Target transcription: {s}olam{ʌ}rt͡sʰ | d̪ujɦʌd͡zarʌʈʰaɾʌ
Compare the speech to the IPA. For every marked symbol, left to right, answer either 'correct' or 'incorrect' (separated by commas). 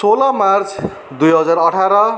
correct, incorrect